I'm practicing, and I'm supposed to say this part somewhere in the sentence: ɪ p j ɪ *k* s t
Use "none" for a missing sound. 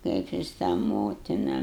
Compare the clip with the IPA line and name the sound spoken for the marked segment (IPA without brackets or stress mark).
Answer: none